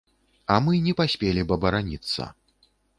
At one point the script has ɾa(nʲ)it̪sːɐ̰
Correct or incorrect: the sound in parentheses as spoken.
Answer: correct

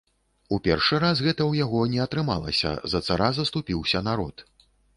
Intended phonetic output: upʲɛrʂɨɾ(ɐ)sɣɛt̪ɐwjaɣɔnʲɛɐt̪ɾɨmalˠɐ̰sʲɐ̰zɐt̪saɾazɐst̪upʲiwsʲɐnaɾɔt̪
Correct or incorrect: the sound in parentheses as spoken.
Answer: incorrect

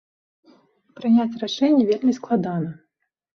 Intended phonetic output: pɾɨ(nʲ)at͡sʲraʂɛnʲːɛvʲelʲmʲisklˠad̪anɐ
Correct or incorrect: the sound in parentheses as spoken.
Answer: correct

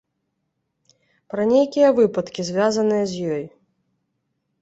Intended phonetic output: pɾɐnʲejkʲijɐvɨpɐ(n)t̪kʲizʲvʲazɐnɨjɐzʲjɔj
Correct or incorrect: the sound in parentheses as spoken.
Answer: incorrect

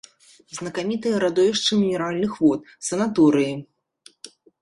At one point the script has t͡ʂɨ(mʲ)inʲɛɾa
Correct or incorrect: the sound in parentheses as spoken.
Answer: correct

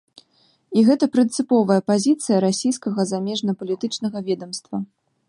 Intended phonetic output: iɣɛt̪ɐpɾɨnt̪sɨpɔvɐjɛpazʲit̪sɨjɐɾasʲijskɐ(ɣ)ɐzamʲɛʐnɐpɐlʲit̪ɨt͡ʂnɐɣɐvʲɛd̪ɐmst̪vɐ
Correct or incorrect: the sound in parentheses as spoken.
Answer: correct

